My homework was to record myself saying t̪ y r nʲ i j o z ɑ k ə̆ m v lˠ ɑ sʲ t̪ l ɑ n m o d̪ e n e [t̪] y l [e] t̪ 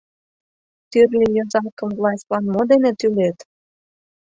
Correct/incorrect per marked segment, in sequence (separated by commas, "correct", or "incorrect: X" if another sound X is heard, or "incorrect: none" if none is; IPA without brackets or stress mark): correct, correct